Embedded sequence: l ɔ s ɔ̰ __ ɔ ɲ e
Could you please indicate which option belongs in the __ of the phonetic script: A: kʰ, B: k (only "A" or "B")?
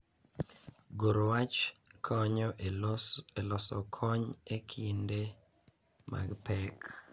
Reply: A